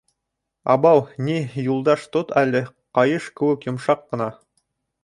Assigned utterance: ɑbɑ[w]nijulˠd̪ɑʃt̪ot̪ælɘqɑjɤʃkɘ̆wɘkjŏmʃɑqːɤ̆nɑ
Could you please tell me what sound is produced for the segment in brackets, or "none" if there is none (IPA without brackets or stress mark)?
w